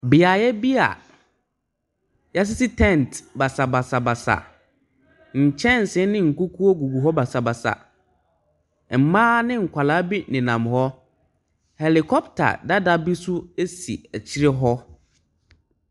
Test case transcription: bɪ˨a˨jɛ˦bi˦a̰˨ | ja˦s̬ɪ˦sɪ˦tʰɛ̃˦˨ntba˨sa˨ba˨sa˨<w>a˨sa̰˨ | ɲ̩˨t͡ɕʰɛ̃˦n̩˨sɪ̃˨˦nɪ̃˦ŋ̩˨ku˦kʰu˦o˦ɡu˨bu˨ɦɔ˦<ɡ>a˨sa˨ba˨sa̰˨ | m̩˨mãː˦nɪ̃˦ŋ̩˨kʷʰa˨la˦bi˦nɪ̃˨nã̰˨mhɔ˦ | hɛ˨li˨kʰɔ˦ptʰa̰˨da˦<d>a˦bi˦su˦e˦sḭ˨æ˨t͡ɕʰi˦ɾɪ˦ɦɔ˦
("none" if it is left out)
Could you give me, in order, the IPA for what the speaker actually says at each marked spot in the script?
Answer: b, b, d

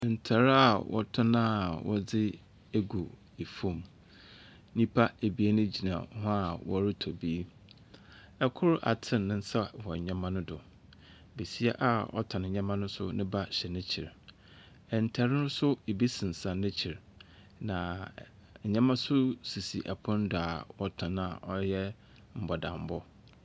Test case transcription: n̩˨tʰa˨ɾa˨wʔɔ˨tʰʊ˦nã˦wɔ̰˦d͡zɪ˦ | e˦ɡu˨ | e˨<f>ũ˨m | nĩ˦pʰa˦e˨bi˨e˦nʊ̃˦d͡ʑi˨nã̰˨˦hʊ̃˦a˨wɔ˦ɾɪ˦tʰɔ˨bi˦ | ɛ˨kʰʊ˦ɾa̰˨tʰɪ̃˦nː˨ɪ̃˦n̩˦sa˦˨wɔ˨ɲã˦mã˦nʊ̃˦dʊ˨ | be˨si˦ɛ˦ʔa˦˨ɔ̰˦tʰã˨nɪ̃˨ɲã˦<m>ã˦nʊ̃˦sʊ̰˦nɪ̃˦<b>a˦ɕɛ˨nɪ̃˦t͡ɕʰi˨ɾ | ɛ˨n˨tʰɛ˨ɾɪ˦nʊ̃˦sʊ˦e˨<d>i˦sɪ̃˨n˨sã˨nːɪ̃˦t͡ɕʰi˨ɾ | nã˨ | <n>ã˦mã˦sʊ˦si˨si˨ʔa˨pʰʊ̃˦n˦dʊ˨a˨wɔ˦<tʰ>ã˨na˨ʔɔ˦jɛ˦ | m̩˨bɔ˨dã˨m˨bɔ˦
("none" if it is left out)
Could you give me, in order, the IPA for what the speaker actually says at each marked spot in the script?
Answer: f, m, b, b, ɲ, tʰ

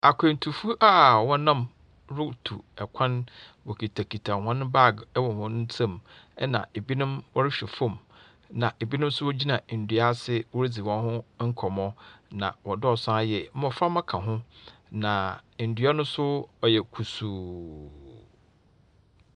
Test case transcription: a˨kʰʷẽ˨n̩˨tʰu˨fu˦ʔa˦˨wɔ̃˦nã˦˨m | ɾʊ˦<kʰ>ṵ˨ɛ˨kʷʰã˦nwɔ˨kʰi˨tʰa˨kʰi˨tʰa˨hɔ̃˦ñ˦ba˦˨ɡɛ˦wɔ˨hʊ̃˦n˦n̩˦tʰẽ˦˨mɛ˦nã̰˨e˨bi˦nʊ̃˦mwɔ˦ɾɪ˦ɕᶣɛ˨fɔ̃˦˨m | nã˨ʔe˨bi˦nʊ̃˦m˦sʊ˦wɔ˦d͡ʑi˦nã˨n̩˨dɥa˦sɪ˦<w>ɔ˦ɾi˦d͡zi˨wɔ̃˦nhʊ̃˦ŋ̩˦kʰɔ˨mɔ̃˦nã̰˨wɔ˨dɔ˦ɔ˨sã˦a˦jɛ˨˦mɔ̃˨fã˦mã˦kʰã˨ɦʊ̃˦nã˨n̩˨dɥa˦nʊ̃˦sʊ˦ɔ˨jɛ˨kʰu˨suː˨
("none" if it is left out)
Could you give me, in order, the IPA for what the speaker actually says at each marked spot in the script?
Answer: tʰ, w

